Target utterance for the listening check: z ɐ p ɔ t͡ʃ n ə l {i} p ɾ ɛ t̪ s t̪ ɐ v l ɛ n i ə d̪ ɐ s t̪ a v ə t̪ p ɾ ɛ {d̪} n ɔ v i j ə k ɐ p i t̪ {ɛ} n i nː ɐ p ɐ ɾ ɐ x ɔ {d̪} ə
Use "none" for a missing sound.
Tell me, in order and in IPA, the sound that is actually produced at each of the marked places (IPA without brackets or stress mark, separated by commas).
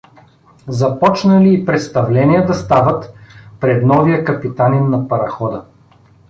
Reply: iː, d̪, a, d̪